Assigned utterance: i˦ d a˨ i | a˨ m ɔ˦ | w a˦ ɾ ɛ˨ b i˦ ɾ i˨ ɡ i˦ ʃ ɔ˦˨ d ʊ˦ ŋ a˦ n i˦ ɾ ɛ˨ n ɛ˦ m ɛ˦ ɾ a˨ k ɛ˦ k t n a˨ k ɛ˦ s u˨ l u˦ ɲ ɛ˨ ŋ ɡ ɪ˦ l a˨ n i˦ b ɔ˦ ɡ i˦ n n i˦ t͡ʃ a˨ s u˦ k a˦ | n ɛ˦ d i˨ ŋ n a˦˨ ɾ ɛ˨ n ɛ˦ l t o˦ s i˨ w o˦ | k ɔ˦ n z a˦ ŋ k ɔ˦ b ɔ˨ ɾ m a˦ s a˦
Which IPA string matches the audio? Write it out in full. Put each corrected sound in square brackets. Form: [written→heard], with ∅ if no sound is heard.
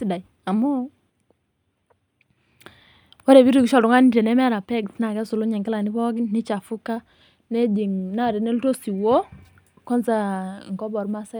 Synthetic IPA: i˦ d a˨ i | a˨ m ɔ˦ | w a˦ ɾ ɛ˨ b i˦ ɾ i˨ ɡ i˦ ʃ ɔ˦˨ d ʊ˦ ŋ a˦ n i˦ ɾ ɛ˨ n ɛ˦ m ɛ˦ ɾ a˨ [k→p] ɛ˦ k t n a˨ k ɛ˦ s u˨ l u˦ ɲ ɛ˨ ŋ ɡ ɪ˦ l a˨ n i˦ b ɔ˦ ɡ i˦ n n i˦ t͡ʃ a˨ [s→f] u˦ k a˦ | n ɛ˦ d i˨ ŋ n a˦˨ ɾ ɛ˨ n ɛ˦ l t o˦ s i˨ w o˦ | k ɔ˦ n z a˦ ŋ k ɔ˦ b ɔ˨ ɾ m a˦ s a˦